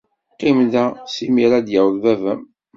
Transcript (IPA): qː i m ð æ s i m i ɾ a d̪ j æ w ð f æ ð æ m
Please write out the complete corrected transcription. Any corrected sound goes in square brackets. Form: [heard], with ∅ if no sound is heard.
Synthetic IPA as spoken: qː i m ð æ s i m i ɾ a d̪ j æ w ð [v] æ [v] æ m